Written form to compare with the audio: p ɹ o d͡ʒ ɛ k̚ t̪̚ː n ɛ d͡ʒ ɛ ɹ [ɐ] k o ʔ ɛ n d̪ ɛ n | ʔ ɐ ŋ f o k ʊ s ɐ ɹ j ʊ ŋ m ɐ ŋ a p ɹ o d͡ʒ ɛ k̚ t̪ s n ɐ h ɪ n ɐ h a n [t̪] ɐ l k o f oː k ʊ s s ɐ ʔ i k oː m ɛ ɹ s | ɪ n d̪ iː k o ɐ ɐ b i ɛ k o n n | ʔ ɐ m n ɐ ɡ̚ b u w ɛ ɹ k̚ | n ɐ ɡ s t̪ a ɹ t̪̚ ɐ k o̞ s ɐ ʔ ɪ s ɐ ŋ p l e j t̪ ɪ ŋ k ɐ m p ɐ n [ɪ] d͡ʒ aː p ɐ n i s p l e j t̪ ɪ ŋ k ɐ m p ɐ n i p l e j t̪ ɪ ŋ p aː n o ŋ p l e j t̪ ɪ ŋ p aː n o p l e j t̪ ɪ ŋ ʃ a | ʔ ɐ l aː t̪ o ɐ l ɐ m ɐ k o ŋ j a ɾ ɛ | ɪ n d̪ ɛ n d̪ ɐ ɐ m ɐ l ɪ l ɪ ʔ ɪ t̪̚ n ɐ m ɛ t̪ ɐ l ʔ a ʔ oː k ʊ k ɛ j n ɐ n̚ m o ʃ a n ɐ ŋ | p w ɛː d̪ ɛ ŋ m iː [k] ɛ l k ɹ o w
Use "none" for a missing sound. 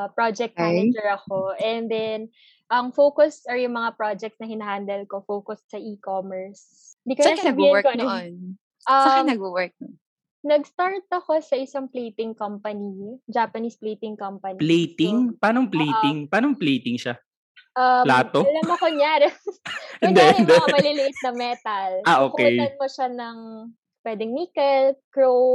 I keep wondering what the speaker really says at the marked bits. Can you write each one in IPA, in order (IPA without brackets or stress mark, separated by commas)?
ɐ, d̪, i, k